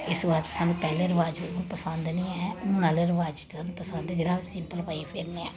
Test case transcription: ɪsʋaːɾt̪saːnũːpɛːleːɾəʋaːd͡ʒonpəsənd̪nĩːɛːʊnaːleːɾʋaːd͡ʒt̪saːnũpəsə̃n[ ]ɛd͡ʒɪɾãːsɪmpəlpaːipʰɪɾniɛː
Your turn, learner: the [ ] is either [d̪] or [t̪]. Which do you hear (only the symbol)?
d̪